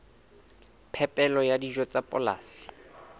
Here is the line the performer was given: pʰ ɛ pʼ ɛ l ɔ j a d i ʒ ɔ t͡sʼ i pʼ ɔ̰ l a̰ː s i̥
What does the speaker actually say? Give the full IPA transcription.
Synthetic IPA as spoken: pʰ ɛ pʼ ɛ l ɔ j a d i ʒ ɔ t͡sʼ a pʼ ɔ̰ l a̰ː s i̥